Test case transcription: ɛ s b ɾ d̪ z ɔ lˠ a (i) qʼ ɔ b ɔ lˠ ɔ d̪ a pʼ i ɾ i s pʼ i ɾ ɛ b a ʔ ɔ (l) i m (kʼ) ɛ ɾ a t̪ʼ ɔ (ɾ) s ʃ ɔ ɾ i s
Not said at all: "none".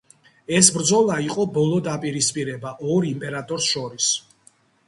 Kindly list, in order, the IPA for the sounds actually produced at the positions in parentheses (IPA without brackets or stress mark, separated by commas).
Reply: i, ɾ, pʼ, ɾ